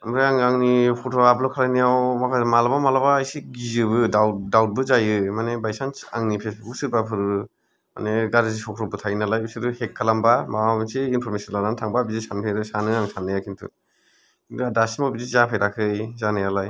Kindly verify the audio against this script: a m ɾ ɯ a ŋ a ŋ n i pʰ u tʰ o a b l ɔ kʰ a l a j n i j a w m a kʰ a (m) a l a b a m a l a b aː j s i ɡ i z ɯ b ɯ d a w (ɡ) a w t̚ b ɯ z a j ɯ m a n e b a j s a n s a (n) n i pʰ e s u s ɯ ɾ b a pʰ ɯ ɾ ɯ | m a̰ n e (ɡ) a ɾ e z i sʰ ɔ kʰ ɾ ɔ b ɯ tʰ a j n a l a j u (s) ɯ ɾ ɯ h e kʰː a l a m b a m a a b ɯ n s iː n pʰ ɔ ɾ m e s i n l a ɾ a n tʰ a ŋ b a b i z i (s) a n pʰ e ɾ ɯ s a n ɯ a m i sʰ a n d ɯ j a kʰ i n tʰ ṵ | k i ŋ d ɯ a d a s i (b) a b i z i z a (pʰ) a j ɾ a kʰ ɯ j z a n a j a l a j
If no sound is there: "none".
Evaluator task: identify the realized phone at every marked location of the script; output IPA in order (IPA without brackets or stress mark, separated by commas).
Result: m, d, ŋ, ɡ, s, s, m, pʰ